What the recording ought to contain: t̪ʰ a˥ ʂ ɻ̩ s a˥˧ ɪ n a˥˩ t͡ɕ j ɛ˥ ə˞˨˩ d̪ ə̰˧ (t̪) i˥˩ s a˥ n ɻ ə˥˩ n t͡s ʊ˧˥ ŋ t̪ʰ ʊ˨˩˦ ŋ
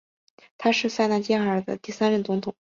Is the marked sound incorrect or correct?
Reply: correct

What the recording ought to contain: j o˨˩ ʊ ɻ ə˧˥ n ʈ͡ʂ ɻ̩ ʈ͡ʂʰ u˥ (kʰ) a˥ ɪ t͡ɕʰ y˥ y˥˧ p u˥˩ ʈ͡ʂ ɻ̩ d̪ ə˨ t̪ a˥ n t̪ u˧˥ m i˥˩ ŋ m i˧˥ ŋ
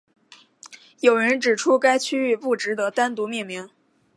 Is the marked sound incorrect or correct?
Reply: incorrect: k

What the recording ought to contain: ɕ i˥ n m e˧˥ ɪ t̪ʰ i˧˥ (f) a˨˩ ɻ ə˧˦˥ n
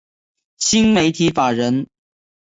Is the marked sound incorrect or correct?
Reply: correct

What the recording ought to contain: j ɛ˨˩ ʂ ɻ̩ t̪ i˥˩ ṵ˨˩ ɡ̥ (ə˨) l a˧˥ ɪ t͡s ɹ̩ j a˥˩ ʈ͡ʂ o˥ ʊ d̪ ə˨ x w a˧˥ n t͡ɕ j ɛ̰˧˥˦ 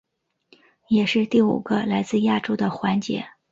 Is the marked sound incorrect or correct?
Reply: incorrect: ə˦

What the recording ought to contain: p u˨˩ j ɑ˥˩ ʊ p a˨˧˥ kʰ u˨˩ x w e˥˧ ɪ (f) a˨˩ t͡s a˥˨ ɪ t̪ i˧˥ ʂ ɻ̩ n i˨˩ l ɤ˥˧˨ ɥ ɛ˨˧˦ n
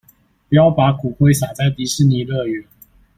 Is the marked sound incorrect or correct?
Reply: incorrect: s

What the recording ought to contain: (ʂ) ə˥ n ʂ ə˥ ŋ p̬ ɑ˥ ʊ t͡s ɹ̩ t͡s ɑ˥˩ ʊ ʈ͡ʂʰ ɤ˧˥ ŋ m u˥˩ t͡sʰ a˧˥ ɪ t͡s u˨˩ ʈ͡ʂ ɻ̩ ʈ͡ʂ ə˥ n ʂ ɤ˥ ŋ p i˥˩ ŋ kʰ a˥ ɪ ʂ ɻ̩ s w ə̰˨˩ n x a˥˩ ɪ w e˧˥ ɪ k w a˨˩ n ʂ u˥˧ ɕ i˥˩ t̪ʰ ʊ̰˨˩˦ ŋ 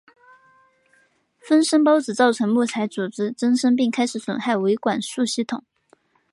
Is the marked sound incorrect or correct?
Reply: incorrect: f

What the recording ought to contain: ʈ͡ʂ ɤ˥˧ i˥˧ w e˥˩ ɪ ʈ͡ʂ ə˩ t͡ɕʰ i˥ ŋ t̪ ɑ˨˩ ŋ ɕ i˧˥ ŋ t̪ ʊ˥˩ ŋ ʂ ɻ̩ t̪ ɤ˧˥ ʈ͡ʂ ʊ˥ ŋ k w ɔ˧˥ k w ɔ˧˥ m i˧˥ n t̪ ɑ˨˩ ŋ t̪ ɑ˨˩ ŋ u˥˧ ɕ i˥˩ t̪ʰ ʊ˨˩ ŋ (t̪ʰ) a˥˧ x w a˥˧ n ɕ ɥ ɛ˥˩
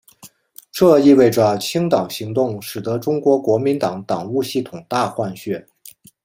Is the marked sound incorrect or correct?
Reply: incorrect: t̪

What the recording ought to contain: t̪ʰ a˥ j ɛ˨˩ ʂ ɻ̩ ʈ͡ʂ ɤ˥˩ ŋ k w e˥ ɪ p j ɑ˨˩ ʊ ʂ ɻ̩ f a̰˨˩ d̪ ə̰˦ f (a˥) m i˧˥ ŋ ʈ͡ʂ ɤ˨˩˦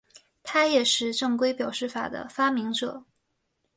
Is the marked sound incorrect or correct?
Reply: correct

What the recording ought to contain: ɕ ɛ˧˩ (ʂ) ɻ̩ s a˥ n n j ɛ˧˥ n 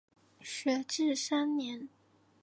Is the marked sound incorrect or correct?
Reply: incorrect: ʈ͡ʂ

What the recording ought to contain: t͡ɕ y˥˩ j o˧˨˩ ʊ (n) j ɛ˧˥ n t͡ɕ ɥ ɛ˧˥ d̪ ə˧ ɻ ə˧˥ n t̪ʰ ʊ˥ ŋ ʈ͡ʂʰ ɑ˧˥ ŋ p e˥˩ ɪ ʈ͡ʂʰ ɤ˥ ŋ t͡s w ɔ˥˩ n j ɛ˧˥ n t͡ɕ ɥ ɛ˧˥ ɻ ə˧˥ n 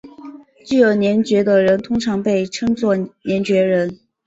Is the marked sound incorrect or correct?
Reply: correct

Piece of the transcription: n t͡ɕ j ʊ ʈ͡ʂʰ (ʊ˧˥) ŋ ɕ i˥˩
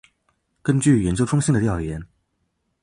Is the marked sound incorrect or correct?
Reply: incorrect: ʊ˥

